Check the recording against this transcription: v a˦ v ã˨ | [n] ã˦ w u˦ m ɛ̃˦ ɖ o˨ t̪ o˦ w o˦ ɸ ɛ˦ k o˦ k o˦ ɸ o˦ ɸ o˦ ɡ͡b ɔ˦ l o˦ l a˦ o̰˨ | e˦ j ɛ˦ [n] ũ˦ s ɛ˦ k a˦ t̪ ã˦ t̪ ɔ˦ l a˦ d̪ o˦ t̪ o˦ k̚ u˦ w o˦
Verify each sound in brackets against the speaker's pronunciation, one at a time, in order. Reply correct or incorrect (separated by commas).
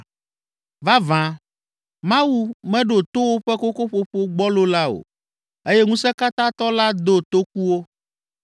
incorrect, incorrect